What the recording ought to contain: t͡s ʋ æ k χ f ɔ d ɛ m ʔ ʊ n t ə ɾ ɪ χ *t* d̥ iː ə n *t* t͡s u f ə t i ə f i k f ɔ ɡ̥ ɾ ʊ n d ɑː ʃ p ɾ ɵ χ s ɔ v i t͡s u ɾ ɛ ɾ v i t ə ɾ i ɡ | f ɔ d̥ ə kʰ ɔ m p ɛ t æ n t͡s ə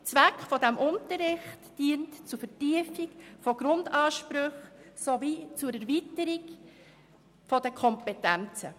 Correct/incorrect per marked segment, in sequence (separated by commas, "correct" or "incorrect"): correct, correct